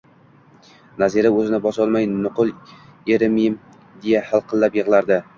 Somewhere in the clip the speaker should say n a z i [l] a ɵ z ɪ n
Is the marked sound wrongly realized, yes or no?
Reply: yes